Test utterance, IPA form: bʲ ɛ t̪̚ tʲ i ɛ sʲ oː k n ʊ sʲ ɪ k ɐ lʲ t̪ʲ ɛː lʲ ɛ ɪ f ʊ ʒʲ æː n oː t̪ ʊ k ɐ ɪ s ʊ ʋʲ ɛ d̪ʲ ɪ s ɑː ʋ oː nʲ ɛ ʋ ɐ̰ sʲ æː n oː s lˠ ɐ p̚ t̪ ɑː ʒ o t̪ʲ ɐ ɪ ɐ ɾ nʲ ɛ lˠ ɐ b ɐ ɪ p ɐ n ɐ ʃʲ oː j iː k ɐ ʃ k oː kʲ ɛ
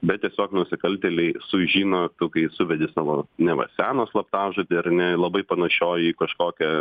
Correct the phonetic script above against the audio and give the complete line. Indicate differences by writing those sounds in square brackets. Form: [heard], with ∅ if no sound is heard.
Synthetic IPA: bʲ ɛ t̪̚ tʲ i ɛ sʲ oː k n ʊ sʲ ɪ k ɐ lʲ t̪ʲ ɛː lʲ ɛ ɪ [s] ʊ ʒʲ [iː] n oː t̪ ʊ k ɐ ɪ s ʊ ʋʲ ɛ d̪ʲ ɪ s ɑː ʋ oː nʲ ɛ ʋ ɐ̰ sʲ æː n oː s lˠ ɐ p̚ t̪ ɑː ʒ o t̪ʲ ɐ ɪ ɐ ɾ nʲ ɛ lˠ ɐ b ɐ ɪ p ɐ n ɐ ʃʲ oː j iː k ɐ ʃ k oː kʲ ɛ

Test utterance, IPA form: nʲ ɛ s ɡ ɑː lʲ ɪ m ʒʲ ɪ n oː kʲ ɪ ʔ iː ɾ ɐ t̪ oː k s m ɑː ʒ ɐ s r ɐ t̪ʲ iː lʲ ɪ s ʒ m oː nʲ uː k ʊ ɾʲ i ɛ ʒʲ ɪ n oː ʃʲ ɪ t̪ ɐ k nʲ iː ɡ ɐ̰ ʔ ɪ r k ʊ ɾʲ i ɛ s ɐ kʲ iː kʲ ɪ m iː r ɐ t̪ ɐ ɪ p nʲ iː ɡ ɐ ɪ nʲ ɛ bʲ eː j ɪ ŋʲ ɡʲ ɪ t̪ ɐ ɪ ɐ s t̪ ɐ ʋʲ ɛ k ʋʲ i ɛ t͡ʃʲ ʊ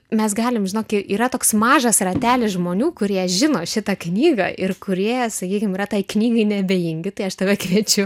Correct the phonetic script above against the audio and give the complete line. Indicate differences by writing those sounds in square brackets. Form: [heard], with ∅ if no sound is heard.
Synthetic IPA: [mʲ] ɛ s ɡ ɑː lʲ ɪ m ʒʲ ɪ n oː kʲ ɪ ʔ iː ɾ ɐ t̪ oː k s m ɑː ʒ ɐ s r ɐ t̪ʲ [æː] lʲ ɪ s ʒ m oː nʲ uː k ʊ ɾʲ i ɛ ʒʲ ɪ n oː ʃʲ ɪ t̪ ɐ k nʲ iː ɡ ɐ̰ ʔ ɪ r k ʊ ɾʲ i ɛ s ɐ kʲ iː kʲ ɪ m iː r ɐ t̪ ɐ ɪ [k] nʲ iː ɡ ɐ ɪ nʲ ɛ bʲ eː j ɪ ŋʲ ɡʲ ɪ t̪ ɐ ɪ ɐ [ʃ] t̪ ɐ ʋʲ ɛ k ʋʲ i ɛ t͡ʃʲ ʊ

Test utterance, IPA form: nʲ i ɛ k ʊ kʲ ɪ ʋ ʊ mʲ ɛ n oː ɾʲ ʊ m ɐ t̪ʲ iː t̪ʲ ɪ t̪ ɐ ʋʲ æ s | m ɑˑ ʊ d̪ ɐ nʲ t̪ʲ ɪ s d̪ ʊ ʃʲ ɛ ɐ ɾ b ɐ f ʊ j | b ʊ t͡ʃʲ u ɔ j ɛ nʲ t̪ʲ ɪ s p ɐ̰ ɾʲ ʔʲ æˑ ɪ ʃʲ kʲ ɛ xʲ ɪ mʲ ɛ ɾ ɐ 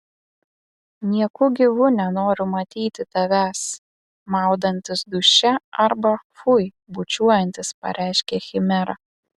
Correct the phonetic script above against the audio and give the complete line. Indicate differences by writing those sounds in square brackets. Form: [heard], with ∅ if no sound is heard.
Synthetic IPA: nʲ i ɛ k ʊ [ɡʲ] ɪ ʋ ʊ [nʲ] ɛ n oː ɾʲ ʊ m ɐ t̪ʲ iː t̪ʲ ɪ t̪ ɐ ʋʲ æ s | m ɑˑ ʊ d̪ ɐ nʲ t̪ʲ ɪ s d̪ ʊ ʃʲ ɛ ɐ ɾ b ɐ f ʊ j | b ʊ t͡ʃʲ u ɔ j ɛ nʲ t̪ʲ ɪ s p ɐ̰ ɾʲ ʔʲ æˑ ɪ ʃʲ kʲ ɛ xʲ ɪ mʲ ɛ ɾ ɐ

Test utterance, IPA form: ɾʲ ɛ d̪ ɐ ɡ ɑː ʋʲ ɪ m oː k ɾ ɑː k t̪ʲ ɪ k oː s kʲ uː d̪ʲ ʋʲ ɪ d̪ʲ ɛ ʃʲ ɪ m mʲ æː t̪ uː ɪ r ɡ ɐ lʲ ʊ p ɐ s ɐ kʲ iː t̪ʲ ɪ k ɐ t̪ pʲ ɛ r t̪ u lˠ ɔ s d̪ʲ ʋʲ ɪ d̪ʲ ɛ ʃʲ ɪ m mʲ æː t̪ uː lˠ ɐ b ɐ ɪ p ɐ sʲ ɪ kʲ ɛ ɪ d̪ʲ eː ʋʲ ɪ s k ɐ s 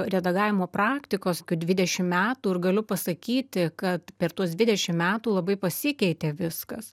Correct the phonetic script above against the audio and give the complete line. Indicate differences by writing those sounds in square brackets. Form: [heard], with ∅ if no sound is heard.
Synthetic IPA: ɾʲ ɛ d̪ ɐ ɡ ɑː ʋʲ ɪ m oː [p] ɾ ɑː k t̪ʲ ɪ k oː s kʲ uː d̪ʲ ʋʲ ɪ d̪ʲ ɛ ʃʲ ɪ m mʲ æː t̪ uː ɪ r ɡ ɐ lʲ ʊ p ɐ s ɐ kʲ iː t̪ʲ ɪ k ɐ t̪ pʲ ɛ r t̪ u [∅] ɔ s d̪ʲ ʋʲ ɪ d̪ʲ ɛ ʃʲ ɪ m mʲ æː t̪ uː lˠ ɐ b ɐ ɪ p ɐ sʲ ɪ kʲ ɛ ɪ [t̪ʲ] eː ʋʲ ɪ s k ɐ s

